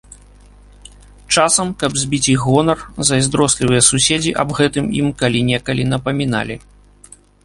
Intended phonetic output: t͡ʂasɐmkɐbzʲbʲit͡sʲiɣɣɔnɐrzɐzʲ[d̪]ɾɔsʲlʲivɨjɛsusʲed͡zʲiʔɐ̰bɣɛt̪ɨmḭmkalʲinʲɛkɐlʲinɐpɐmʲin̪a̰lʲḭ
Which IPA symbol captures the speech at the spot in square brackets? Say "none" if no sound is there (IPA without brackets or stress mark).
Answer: d̪